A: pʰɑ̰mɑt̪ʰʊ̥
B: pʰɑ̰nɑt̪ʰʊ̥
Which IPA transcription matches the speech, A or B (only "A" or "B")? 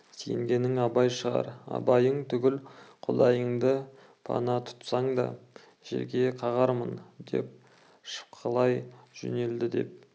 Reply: B